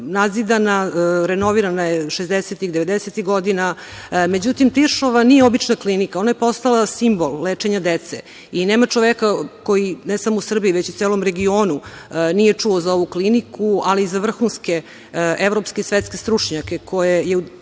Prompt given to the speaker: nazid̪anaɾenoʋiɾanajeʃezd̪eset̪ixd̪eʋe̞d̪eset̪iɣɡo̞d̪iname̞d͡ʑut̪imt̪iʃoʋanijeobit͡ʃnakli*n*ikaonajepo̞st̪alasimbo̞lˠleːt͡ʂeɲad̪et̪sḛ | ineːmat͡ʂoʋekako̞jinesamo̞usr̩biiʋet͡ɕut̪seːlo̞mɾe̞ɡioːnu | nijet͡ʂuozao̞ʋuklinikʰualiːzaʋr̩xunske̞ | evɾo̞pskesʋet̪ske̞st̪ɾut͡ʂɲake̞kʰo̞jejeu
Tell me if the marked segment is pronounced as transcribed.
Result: yes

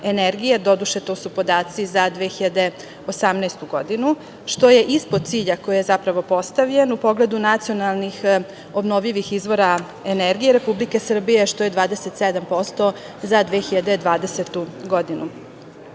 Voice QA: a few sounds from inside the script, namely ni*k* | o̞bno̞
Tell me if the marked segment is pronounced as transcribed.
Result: no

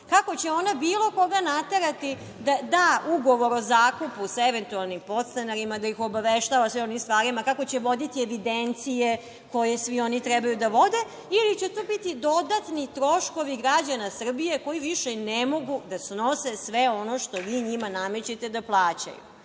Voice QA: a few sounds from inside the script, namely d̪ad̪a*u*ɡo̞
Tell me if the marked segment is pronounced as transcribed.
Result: yes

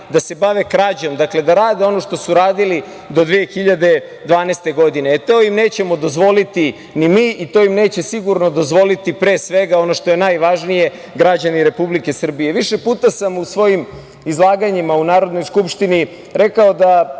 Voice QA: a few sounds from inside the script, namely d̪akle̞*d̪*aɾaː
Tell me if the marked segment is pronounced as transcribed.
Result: yes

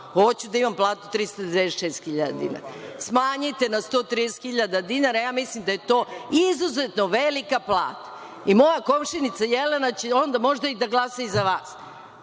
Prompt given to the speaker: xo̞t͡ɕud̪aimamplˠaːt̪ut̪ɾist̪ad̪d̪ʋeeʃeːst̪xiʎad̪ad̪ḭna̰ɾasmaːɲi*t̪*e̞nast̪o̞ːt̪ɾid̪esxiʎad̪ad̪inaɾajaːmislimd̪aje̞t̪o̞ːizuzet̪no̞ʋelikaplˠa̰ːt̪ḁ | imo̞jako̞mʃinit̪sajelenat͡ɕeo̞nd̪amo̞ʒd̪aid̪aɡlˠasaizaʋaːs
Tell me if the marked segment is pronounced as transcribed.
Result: yes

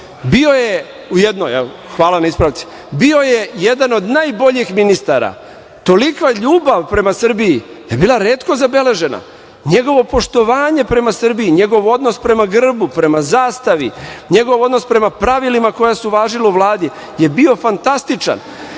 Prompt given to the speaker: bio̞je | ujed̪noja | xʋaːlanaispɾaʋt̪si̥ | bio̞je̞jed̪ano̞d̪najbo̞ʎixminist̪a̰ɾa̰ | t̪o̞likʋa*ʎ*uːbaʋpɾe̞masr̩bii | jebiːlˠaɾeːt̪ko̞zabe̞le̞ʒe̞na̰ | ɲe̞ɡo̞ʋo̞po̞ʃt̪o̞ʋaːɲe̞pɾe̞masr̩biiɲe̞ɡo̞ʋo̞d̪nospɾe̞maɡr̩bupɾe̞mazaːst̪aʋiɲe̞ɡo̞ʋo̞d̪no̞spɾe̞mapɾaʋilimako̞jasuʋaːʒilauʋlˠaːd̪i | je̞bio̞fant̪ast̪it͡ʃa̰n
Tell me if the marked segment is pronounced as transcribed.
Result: yes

